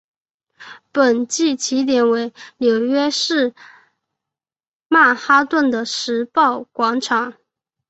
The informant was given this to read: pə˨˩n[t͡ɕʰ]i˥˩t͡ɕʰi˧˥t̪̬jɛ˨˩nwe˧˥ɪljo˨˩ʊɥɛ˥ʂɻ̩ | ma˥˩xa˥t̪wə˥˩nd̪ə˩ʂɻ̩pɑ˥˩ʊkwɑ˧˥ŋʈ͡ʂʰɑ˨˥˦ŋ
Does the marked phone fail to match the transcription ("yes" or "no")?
yes